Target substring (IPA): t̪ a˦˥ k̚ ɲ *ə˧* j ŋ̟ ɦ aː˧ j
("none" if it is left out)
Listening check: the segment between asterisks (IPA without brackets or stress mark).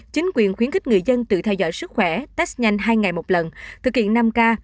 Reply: a˧